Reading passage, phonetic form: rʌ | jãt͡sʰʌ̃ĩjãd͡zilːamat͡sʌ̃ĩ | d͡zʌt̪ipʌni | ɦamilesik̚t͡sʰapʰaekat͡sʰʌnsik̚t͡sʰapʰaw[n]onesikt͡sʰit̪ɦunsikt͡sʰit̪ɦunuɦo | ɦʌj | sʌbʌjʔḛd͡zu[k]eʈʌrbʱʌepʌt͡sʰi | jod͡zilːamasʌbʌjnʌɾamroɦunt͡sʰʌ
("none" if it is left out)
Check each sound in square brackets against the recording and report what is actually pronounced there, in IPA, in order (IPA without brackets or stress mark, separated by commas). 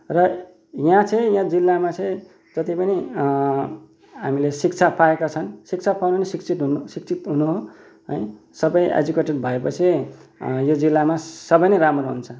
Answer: n, k